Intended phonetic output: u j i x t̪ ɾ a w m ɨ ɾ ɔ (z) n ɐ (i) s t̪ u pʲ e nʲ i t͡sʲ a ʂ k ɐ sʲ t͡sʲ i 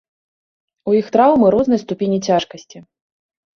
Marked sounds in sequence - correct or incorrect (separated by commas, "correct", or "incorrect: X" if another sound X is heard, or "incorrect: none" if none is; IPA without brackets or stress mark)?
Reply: correct, incorrect: j